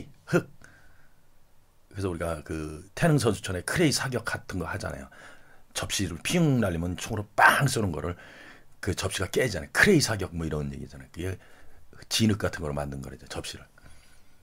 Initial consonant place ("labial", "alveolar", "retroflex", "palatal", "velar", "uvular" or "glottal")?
glottal